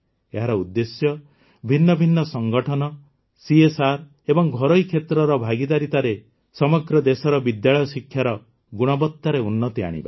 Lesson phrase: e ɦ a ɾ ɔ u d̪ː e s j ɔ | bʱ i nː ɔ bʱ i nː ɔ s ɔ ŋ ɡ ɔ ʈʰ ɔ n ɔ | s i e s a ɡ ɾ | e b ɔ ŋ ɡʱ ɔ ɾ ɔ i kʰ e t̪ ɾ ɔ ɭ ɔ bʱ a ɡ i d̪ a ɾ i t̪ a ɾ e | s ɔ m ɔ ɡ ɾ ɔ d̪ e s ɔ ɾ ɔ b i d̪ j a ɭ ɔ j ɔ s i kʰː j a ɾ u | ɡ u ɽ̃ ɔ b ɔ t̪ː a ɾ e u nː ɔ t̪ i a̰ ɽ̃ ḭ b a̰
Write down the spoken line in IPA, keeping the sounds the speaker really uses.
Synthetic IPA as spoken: e ɦ a ɾ ɔ u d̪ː e s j ɔ | bʱ i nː ɔ bʱ i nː ɔ s ɔ ŋ ɡ ɔ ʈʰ ɔ n ɔ | s i e s a ɾ | e b ɔ ŋ ɡʱ ɔ ɾ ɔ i kʰ e t̪ ɾ ɔ ɾ ɔ bʱ a ɡ i d̪ a ɾ i t̪ a ɾ e | s ɔ m ɔ ɡ ɾ ɔ d̪ e s ɔ ɾ ɔ b i d̪ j a ɭ ɔ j ɔ s i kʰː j a ɾ ɔ | ɡ u ɽ̃ ɔ b ɔ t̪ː a ɾ e u nː ɔ t̪ i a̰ ɽ̃ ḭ b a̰